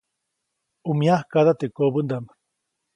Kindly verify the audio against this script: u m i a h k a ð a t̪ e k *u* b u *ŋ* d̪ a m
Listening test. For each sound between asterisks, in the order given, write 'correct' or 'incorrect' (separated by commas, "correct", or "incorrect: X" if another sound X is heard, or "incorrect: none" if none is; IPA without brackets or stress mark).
incorrect: o, incorrect: n